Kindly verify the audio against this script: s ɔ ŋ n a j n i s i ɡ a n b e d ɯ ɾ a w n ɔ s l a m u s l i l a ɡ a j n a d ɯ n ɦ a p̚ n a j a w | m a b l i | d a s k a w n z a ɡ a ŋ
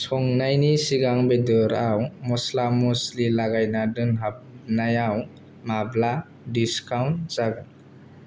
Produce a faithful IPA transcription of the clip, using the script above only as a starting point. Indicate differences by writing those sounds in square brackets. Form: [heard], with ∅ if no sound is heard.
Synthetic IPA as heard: s ɔ ŋ n a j n i s i ɡ a [ŋ] b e d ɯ ɾ a w [m] ɔ s l a m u s l i l a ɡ a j n a d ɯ n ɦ a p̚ n a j a w | m a b l [a] | d [i] s k a w n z a ɡ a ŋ